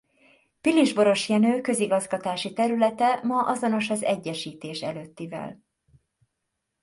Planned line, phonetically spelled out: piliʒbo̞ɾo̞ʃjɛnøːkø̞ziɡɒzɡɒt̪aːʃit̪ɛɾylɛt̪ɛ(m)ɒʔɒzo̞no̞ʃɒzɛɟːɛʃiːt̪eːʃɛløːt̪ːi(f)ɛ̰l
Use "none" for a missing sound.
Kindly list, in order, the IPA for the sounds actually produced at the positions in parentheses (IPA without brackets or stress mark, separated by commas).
m, v